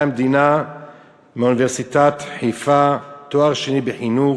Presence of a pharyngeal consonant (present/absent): present